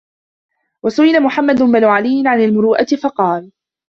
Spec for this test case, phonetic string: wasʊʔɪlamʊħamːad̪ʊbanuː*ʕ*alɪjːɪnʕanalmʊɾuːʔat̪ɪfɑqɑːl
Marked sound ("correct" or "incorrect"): correct